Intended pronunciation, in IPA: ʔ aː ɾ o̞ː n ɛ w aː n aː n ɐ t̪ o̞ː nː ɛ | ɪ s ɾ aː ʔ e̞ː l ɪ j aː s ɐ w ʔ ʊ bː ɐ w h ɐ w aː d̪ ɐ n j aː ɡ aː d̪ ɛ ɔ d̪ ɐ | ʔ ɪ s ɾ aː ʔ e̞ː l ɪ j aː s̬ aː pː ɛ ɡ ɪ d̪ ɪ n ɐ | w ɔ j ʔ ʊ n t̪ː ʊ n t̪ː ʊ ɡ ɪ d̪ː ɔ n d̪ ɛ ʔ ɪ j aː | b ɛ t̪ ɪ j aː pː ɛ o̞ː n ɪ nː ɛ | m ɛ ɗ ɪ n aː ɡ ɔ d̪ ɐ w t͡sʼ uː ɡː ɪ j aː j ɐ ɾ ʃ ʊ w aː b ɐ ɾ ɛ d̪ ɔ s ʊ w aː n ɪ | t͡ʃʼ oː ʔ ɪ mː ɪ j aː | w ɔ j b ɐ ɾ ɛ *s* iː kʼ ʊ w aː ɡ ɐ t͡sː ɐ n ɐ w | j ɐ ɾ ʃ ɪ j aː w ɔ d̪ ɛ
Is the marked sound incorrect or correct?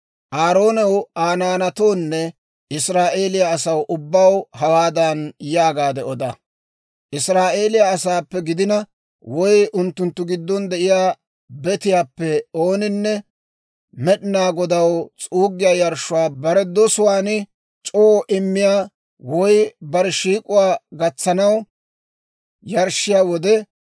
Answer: incorrect